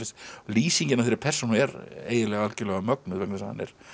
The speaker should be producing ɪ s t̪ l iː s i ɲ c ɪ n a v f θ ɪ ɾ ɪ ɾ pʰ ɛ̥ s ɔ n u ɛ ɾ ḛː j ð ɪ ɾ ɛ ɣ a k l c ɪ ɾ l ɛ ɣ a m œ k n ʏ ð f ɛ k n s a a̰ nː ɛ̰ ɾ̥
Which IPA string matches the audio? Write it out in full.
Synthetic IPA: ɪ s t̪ l iː s i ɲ c ɪ n a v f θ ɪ ɾ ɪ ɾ pʰ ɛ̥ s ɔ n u ɛ ɾ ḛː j ð ɪ l ɛ ɣ a l c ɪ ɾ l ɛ ɣ a m œ k n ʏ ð v ɛ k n s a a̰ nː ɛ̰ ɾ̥